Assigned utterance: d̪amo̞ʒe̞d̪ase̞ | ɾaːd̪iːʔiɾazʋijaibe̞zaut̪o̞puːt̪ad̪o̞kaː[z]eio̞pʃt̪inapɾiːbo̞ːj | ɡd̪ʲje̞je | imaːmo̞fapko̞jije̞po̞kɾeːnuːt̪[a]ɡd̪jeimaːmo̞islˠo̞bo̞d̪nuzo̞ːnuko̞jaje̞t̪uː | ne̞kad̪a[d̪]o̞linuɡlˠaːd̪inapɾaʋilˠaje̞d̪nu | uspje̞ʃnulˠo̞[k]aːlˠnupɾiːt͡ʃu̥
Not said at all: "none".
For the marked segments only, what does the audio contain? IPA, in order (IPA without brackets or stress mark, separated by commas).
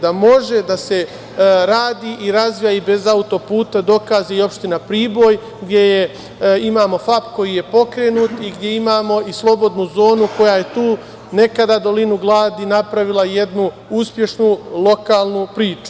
z, i, d̪, k